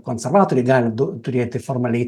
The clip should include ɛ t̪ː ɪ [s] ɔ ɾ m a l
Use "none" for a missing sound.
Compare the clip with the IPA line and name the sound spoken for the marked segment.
f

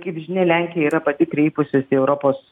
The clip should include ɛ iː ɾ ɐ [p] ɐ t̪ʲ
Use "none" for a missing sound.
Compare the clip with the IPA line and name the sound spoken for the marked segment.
p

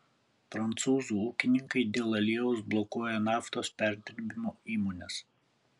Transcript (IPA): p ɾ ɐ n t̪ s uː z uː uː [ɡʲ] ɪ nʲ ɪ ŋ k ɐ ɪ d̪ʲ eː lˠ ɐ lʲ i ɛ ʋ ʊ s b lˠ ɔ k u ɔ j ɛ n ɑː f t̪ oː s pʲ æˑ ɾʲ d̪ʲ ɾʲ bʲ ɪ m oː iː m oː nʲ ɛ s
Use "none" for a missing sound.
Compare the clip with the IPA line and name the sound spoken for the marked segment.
kʲ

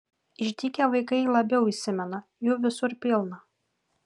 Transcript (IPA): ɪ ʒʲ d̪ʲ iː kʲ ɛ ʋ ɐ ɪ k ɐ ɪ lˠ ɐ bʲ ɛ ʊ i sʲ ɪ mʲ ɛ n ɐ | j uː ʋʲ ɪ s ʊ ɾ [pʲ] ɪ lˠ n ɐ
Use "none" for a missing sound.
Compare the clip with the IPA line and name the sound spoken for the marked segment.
pʲ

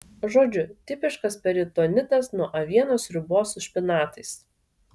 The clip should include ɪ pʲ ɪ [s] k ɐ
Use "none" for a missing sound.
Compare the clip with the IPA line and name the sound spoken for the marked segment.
ʃ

